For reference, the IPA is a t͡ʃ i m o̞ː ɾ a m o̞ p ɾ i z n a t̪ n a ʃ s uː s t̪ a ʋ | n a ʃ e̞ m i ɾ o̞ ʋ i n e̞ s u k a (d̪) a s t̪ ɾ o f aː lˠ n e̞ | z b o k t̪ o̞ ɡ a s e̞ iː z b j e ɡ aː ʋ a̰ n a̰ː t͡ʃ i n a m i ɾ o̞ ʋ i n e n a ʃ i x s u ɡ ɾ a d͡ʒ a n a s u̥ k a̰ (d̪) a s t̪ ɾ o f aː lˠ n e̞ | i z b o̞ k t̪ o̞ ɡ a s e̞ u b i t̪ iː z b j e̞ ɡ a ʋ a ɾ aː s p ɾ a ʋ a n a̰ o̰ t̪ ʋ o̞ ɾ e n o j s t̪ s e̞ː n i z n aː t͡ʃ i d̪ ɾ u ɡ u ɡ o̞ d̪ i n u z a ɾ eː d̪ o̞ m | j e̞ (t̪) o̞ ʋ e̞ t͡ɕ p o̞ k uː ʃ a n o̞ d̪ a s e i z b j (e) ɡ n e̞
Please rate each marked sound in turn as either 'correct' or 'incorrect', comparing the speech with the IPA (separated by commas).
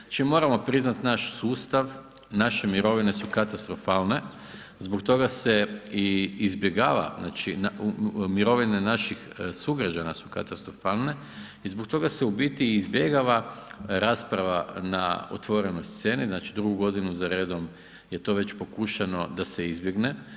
incorrect, incorrect, correct, correct